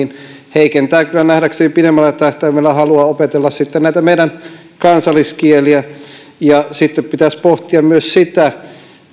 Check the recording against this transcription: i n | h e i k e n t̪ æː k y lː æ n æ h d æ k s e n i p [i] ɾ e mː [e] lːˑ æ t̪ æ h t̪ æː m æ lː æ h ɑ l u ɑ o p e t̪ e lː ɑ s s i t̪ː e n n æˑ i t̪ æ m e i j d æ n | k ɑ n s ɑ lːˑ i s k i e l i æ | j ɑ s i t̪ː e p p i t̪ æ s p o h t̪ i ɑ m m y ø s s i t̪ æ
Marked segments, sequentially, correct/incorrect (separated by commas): correct, incorrect